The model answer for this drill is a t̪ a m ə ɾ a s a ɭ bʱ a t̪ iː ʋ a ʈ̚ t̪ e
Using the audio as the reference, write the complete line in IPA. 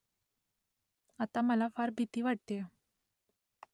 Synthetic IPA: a t̪ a m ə l a f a ɾ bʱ i t̪ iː ʋ a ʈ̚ t̪ e